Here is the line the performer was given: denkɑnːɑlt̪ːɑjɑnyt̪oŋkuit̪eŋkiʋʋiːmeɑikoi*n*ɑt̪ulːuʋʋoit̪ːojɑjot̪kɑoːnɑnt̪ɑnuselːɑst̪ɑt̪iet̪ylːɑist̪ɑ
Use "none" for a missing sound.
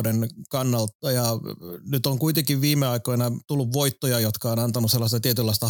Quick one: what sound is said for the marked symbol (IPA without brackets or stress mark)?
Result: n